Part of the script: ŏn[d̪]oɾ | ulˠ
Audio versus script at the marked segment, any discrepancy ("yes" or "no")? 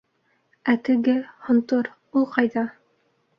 yes